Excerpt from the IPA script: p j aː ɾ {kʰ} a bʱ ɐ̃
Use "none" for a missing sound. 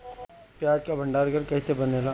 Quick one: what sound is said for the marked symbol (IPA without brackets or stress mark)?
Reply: k